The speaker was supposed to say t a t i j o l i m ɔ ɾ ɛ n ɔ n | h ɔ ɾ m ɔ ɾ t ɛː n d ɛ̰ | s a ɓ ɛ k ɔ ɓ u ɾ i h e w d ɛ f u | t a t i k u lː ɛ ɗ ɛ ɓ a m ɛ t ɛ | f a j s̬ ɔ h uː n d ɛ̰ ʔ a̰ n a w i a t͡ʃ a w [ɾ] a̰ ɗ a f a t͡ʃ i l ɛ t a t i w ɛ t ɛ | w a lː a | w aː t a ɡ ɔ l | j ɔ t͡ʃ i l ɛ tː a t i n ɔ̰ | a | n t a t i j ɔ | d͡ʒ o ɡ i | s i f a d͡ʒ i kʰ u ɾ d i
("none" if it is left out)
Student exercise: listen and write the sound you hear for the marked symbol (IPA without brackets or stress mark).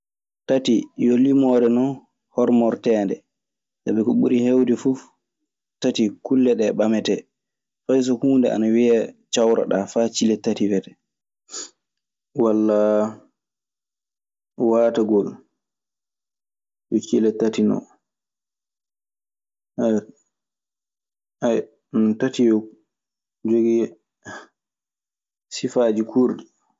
ɾ